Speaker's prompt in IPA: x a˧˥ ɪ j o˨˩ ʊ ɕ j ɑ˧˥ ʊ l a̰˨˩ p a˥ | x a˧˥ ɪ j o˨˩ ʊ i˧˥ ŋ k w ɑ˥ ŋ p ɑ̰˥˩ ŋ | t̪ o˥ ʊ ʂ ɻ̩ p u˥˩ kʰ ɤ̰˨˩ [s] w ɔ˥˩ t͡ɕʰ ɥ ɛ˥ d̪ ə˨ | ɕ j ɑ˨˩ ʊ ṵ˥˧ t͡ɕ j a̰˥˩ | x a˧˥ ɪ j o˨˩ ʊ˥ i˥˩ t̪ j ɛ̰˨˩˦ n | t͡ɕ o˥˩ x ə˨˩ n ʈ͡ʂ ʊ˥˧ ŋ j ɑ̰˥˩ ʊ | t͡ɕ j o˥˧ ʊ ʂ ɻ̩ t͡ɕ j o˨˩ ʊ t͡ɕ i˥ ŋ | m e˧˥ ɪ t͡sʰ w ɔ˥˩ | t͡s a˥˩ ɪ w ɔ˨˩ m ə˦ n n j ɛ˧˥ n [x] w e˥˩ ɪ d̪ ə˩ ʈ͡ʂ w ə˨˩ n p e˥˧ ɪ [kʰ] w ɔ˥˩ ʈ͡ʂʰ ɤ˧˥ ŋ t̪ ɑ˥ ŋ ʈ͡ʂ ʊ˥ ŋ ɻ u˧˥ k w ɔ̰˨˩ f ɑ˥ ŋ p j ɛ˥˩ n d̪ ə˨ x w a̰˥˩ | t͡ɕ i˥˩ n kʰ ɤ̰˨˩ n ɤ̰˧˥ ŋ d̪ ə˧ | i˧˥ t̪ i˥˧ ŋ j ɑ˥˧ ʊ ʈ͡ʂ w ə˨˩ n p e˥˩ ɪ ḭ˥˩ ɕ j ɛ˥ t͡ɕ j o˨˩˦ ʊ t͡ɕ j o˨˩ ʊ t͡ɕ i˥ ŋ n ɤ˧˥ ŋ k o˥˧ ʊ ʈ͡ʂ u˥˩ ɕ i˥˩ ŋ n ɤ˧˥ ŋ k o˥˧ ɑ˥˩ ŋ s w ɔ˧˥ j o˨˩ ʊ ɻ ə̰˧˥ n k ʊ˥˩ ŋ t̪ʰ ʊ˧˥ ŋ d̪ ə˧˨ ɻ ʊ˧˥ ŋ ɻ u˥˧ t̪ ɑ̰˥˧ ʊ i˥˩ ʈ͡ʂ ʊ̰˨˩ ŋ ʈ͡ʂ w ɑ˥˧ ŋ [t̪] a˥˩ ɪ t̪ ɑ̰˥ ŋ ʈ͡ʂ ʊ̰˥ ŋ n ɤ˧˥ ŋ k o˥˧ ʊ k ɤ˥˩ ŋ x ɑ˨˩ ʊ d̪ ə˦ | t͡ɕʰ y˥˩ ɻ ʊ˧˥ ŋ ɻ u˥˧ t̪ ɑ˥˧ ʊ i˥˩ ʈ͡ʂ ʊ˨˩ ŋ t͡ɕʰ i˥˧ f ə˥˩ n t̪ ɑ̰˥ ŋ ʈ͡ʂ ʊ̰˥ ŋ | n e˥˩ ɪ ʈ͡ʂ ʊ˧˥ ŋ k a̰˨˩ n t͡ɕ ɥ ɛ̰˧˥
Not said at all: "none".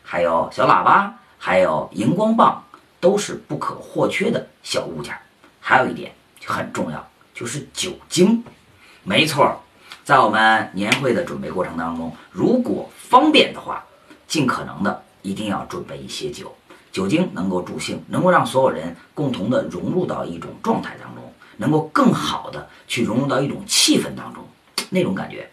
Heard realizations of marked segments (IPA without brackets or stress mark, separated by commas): x, x, k, t̪ʰ